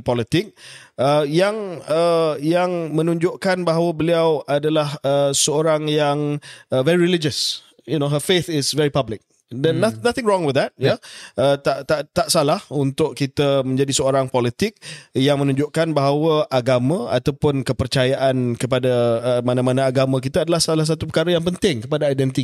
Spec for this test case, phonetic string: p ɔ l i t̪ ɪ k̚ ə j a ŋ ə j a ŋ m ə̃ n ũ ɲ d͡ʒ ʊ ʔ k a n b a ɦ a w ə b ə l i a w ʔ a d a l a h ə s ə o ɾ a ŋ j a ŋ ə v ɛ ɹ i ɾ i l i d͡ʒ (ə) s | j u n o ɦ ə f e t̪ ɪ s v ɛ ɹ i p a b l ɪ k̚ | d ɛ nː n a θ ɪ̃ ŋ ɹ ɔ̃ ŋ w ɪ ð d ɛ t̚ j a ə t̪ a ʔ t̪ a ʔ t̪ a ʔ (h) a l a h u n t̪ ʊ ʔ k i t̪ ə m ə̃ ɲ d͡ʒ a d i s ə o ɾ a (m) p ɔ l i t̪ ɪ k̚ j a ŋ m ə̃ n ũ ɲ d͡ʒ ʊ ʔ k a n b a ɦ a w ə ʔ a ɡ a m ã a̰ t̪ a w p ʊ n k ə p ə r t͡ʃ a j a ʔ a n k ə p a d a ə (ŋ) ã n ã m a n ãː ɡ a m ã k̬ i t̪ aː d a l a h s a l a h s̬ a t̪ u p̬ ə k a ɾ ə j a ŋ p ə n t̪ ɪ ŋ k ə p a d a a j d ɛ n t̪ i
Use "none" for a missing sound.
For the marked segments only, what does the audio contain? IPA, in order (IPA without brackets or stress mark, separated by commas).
ə, s, ŋ, m